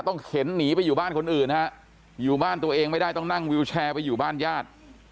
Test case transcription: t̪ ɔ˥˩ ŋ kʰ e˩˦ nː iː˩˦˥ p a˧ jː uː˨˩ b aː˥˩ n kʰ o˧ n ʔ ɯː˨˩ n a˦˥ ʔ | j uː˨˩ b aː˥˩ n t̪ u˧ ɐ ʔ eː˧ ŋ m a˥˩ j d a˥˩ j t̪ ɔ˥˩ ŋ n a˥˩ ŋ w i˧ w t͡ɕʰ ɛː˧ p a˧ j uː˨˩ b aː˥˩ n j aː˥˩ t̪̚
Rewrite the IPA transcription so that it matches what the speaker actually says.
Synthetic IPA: t̪ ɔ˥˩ ŋ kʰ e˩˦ nː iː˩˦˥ p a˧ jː uː˨˩ b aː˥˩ n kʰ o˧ n ʔ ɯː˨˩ n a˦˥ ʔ | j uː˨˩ b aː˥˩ n t̪ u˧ ɐ ʔ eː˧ ŋ m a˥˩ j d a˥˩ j t̪ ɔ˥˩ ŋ n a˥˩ ŋ w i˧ w t͡ɕʰ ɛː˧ p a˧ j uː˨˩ b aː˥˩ n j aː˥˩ t̪̚